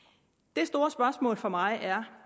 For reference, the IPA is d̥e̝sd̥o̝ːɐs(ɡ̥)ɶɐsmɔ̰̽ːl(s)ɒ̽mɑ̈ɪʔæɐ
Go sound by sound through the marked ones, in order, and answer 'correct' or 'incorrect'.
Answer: incorrect, incorrect

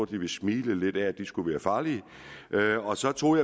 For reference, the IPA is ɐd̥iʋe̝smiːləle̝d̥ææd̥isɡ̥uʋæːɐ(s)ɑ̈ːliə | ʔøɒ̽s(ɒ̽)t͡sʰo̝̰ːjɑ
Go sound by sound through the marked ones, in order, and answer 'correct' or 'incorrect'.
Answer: incorrect, correct

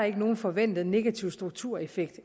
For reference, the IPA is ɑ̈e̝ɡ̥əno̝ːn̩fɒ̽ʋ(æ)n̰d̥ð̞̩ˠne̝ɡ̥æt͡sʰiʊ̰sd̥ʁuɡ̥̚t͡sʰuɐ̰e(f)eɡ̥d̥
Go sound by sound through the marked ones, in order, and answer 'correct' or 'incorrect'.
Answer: incorrect, correct

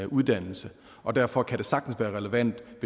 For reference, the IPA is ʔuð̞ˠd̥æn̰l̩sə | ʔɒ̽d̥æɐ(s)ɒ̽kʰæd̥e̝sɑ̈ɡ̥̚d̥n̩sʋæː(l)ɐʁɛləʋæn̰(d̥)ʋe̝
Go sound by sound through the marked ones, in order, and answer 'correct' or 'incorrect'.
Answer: incorrect, incorrect, correct

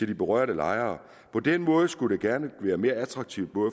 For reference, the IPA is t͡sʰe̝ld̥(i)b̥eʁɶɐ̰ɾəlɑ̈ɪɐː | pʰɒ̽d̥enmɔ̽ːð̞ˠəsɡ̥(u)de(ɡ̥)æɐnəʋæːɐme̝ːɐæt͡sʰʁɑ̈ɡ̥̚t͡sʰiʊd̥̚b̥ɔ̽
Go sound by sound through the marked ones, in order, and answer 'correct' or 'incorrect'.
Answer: correct, correct, correct

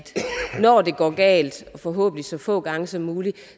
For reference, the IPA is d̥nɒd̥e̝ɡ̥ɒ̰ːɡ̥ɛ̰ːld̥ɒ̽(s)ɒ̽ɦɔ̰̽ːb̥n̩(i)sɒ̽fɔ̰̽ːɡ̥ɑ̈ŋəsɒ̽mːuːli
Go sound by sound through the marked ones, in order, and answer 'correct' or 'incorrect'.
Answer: incorrect, correct

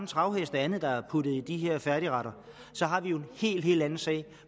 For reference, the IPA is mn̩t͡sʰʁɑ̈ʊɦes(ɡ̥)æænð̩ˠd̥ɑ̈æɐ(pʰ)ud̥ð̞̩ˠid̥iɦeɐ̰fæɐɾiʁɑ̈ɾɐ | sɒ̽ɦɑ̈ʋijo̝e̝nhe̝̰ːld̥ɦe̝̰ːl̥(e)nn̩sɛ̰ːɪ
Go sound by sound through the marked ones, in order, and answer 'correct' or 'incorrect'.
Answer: incorrect, correct, incorrect

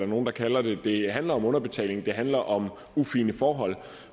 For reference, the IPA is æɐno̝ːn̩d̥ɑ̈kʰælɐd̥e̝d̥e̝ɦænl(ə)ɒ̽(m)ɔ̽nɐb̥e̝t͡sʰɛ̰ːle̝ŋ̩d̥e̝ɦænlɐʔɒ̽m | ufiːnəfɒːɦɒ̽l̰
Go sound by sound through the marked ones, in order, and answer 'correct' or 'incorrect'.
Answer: incorrect, correct

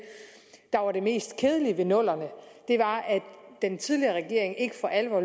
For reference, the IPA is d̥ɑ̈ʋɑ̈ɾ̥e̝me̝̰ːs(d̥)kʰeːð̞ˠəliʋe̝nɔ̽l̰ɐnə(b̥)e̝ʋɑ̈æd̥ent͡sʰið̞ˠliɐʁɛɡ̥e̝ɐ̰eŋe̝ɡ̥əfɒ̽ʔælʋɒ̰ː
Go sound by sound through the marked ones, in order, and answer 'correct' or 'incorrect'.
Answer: correct, incorrect

